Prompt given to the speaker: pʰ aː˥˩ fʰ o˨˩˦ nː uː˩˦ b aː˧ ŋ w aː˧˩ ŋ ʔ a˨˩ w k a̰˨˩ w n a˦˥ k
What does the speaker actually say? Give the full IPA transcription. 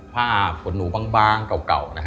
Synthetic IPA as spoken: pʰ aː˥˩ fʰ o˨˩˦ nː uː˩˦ b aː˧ ŋ b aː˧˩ ŋ k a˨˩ w k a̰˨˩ w n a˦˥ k

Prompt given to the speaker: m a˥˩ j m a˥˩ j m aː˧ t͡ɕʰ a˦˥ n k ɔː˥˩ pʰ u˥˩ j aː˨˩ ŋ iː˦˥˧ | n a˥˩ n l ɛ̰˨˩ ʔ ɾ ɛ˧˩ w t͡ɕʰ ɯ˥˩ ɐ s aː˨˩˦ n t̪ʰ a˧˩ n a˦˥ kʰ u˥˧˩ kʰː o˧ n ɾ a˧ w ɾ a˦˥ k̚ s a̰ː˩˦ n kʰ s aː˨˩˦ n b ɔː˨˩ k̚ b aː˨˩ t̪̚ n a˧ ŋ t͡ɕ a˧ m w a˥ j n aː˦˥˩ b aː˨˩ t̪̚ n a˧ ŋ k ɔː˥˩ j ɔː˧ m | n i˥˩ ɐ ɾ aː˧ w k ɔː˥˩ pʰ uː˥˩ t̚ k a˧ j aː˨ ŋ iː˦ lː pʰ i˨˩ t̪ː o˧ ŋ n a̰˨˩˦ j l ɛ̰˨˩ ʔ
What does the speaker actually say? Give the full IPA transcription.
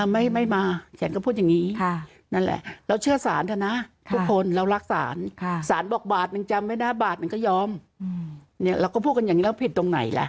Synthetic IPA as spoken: m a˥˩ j m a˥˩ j m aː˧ t͡ɕʰ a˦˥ n k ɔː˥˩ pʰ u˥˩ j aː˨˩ ŋ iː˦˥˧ | n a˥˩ n l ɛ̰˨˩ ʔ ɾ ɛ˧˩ w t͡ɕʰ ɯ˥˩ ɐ s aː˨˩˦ n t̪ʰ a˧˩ n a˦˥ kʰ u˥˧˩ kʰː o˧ n ɾ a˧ w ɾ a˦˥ k̚ s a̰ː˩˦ n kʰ s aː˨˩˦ n b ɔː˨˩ k̚ b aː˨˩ t̪̚ n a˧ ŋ t͡ɕ a˧ m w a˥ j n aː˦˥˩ b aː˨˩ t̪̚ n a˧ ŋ k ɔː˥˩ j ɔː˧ m | n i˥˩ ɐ ɾ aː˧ w k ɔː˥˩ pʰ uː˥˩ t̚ k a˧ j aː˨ ŋ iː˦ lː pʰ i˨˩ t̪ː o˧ ŋ n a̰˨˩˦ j l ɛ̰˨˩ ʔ

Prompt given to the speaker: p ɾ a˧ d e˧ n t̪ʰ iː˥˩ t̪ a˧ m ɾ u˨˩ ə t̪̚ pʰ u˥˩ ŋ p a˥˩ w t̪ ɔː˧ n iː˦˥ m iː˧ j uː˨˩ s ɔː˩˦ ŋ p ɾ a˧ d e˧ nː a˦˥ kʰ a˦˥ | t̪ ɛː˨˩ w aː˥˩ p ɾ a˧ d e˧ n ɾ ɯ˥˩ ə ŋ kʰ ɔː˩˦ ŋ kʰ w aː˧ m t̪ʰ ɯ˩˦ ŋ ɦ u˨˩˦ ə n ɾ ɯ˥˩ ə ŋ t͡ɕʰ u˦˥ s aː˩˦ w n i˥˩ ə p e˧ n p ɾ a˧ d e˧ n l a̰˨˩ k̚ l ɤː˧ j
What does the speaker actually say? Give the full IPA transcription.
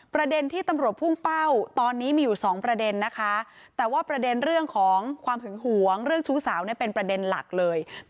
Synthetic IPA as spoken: p ɾ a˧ d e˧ n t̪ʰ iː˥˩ t̪ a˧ m ɾ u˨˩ ə t̪̚ pʰ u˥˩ ŋ p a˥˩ w t̪ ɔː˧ nː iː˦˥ m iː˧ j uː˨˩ s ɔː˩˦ ŋ p ɾ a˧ d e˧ nː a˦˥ kʰ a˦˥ | t̪ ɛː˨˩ w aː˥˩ p ɾ a˧ d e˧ n ɾ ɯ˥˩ ə ŋ kʰ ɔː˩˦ ŋ kʰ w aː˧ m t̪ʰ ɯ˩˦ ŋ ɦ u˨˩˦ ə ŋ ɾ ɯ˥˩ ə ŋ t͡ɕʰ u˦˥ s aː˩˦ w n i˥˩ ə p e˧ n p ɾ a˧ d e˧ n l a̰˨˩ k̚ l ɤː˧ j

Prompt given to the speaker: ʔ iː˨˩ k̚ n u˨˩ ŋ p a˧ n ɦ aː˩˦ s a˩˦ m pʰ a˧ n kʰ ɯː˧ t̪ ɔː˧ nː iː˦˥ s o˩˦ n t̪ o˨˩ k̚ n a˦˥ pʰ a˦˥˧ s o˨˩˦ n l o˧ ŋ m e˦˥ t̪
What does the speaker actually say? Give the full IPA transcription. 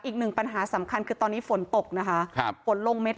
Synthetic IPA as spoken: ʔ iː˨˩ k̚ n ɯ˨˩ ŋ p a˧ n ɦ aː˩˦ s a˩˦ m kʰ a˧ n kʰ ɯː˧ t̪ ɔː˧ nː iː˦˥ f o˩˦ n t̪ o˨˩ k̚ n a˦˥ kʰ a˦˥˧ f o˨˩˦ n l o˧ ŋ m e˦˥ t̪

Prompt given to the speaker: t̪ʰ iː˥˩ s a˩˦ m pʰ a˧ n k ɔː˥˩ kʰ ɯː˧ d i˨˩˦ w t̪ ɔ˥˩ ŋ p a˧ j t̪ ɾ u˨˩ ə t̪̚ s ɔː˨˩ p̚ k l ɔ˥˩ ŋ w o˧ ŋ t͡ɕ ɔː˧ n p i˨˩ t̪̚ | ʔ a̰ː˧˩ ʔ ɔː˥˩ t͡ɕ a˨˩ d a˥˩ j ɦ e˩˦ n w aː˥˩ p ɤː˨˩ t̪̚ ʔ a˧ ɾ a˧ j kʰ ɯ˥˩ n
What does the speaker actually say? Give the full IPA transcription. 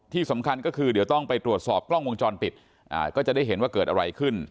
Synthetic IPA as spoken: t̪ʰ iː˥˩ s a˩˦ m kʰ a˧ n k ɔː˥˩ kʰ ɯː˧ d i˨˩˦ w t̪ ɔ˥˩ ŋ p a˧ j t̪ ɾ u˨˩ ə t̪̚ s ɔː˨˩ p̚ k l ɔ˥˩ ŋ w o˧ ŋ t͡ɕ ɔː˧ n p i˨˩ t̪̚ | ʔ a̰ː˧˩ k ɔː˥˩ t͡ɕ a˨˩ d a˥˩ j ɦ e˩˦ n w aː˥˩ k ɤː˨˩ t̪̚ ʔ a˧ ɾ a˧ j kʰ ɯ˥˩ n

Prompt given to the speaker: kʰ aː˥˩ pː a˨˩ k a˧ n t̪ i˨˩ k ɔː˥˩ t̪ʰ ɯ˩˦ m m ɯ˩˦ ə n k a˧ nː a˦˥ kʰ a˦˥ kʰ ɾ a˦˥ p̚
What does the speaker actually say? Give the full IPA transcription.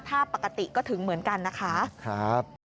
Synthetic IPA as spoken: pʰ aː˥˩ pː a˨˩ k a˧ t̪ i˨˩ k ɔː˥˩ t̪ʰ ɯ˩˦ ŋ m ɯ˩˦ ə n k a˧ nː a˦˥ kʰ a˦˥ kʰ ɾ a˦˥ p̚

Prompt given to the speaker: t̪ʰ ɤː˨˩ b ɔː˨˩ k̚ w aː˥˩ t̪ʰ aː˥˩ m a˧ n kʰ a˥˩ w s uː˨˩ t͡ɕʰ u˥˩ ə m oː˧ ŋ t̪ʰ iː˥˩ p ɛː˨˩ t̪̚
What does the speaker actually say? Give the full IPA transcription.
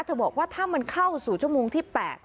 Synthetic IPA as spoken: t̪ʰ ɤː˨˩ b ɔː˨˩ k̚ w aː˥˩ t̪ʰ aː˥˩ m a˧ n kʰ a˥˩ w s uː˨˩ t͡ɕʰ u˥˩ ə m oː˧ ŋ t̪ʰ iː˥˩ p ɛː˨˩ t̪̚

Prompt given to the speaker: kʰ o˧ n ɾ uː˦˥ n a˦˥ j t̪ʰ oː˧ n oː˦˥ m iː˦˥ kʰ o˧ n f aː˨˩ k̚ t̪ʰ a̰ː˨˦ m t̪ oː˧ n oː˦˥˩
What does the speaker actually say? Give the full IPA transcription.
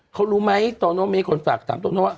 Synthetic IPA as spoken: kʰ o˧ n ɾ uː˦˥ m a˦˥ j t̪ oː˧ n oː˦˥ m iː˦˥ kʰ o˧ n f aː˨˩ k̚ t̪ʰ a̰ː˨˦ m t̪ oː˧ n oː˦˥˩

